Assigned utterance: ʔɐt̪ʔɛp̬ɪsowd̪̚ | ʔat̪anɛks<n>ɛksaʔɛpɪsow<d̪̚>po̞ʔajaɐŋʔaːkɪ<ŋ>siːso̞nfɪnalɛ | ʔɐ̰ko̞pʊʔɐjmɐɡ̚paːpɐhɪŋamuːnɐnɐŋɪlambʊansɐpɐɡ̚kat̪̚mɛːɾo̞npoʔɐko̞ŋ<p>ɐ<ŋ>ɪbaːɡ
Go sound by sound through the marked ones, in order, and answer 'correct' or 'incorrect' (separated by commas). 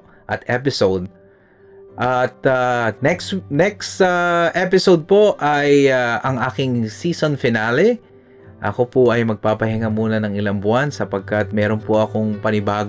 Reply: correct, correct, correct, correct, incorrect